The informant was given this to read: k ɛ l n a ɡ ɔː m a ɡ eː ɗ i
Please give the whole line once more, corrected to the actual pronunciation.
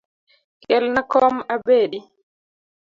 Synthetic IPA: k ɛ l n a k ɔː m a b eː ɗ i